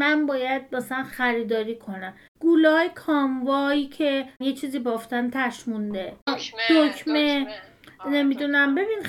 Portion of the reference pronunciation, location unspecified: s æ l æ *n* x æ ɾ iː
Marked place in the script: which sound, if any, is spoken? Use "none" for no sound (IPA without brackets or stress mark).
n